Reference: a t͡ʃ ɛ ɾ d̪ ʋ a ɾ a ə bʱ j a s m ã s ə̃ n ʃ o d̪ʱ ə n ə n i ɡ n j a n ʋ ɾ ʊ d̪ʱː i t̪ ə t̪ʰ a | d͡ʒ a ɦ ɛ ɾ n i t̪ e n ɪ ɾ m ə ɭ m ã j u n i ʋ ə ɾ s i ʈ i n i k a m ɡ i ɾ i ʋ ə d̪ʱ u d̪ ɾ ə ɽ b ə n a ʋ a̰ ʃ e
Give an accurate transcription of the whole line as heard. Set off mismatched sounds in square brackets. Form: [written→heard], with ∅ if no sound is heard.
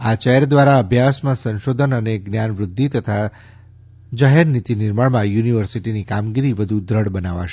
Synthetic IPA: a t͡ʃ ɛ ɾ d̪ ʋ a ɾ a ə bʱ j a s m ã s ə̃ n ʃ o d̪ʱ ə n ə n [i→e] ɡ n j a n ʋ ɾ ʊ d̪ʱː i t̪ ə t̪ʰ a | d͡ʒ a ɦ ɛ ɾ n i t̪ [e→i] n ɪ ɾ m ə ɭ m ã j u n i ʋ ə ɾ s i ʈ i n i k a m ɡ i ɾ i ʋ ə d̪ʱ u d̪ ɾ ə ɽ b ə n a ʋ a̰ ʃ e